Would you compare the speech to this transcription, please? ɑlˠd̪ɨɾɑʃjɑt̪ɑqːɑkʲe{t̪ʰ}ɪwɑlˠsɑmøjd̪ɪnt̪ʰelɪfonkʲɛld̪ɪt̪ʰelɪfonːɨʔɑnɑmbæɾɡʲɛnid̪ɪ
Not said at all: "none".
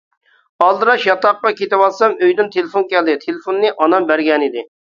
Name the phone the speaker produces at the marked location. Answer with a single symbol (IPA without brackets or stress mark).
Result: t̪